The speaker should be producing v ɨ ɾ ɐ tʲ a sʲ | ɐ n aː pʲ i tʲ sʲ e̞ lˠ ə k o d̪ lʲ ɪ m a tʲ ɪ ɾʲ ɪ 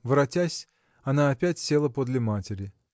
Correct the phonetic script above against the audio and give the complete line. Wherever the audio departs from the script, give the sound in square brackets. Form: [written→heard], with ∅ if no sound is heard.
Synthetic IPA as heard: v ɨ ɾ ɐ tʲ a sʲ | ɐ n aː pʲ [i→æ] tʲ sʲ e̞ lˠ ə [k→p] o d̪ lʲ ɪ m a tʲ ɪ ɾʲ ɪ